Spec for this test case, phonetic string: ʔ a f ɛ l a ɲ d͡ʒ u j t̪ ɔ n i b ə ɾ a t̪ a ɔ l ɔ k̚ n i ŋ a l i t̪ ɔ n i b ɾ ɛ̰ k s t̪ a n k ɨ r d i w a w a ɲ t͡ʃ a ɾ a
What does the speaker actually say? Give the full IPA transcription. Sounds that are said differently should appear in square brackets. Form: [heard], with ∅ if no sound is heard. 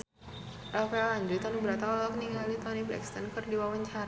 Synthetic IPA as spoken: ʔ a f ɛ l a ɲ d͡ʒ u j t̪ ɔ n i b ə ɾ a t̪ a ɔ l ɔ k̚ n i ŋ a l i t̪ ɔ n i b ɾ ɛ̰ k s t̪ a n k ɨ r d i w a w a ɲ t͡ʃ a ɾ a